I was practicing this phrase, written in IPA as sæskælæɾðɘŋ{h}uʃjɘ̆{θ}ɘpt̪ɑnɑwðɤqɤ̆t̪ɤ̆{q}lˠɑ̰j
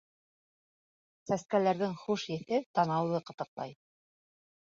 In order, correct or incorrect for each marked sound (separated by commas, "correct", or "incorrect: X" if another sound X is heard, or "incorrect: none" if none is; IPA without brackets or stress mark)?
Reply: incorrect: χ, correct, correct